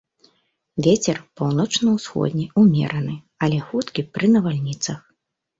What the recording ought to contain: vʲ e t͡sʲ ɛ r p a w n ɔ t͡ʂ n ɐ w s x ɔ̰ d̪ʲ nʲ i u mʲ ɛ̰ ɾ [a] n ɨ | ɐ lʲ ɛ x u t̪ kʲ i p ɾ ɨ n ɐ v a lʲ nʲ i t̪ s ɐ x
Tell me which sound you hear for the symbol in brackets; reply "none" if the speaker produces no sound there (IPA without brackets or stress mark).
ɐ